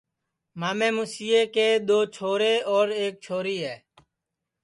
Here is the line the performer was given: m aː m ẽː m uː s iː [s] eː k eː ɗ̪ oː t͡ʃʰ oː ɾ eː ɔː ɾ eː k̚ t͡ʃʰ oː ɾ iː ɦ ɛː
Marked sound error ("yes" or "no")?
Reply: yes